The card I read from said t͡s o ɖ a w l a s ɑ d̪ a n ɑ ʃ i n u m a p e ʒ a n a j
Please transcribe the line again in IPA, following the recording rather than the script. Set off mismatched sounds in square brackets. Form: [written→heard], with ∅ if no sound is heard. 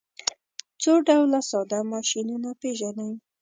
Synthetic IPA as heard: t͡s o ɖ a w l a s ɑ d̪ a [n→m] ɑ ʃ i n u [m→n] a p e ʒ a n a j